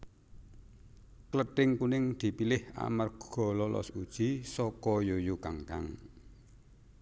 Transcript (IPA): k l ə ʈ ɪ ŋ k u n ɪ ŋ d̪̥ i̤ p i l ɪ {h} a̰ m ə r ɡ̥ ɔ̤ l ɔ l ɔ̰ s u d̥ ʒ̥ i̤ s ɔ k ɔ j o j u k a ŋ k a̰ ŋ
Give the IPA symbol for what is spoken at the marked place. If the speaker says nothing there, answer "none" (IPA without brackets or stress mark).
h